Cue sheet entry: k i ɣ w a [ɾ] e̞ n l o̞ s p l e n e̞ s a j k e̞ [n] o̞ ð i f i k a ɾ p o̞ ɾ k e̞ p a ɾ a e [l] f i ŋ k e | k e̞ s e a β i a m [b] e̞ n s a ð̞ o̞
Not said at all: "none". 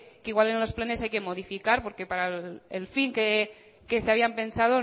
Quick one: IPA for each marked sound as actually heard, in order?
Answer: l, m, l, p

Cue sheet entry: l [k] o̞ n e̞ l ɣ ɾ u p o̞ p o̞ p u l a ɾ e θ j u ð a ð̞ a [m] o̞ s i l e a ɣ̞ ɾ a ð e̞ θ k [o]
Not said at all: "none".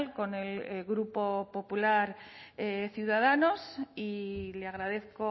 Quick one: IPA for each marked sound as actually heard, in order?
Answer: k, n, o

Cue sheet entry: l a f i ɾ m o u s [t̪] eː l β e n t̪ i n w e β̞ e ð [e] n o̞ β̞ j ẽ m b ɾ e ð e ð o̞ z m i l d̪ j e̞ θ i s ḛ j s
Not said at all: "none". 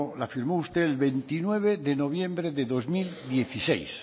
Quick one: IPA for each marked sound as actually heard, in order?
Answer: t̪, e

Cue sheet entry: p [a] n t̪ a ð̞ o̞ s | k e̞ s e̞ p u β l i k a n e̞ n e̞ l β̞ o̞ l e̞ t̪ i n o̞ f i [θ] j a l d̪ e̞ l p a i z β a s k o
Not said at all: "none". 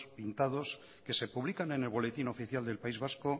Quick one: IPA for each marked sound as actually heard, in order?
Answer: i, θ

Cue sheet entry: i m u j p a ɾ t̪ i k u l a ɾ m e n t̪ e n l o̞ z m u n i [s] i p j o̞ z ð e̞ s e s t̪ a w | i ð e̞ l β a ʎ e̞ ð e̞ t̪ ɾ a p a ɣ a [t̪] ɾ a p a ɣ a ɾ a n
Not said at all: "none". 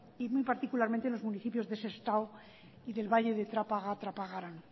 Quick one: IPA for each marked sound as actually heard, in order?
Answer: θ, t̪

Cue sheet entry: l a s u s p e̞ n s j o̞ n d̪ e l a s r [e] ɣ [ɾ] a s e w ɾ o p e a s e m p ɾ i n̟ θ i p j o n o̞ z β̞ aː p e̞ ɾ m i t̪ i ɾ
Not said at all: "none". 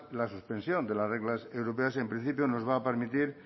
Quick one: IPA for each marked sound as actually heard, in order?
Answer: e, l

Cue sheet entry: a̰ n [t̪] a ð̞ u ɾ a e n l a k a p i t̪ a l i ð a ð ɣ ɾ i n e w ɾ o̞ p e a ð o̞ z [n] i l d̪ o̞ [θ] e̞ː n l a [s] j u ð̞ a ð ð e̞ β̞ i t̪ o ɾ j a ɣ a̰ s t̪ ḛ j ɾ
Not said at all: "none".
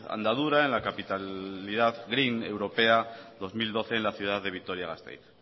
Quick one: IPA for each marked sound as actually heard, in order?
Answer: d̪, m, θ, θ

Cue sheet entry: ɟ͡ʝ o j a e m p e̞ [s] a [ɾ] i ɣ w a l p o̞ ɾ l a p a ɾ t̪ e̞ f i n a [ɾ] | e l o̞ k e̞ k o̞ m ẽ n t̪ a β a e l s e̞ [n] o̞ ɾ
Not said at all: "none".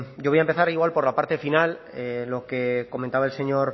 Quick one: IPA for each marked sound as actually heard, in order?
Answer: θ, ɾ, l, ɲ

